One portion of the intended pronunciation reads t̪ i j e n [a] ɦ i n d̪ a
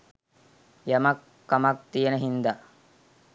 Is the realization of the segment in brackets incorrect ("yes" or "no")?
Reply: yes